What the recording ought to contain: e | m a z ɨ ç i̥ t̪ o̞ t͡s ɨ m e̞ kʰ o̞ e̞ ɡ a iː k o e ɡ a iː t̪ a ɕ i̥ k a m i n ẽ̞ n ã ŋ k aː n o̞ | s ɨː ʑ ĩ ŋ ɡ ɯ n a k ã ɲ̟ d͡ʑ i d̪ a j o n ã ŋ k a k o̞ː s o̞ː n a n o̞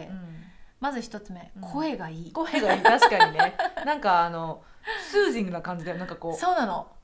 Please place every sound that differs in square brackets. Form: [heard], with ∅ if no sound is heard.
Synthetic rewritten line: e | m a z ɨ ç i̥ t̪ o̞ t͡s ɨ m e̞ kʰ o̞ e̞ ɡ a iː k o e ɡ a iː t̪ a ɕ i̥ k a [ɲ] i n [e̞] n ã ŋ k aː n o̞ | s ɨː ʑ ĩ ŋ ɡ ɯ n a k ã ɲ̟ d͡ʑ i d̪ a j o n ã ŋ k a k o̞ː s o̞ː n a n o̞